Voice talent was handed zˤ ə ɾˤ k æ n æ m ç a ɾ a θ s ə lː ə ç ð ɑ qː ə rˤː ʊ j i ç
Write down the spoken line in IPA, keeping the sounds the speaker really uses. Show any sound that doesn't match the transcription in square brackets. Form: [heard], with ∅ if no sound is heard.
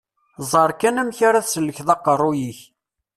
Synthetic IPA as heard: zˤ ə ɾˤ k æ n æ m ç a ɾ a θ s ə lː ə ç ð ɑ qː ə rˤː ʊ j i ç